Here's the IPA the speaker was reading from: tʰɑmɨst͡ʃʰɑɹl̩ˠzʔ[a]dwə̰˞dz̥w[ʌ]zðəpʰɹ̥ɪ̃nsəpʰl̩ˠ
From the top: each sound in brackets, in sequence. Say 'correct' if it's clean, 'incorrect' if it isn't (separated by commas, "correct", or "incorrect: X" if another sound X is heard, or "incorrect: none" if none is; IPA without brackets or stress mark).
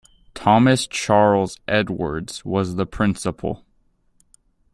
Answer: incorrect: ɛ, correct